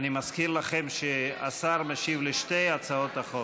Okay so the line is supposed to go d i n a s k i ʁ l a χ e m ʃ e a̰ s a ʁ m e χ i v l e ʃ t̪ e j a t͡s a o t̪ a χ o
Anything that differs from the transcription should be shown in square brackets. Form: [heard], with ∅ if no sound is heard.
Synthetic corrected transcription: [n] i [m] a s k i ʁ l a χ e m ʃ e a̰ s a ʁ m e [ʃ] i v l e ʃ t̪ e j a t͡s a o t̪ a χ o